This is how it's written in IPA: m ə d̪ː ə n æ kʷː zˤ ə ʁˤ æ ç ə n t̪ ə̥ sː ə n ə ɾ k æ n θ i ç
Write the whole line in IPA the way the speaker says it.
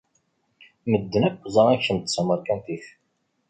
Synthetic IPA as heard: m ə d̪ː ə n æ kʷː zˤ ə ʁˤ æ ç ə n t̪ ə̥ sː ə m ə ɾ k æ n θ i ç